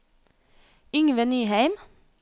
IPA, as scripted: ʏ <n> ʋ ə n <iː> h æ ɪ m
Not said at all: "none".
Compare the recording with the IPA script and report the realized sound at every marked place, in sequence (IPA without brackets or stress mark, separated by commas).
ŋ, yː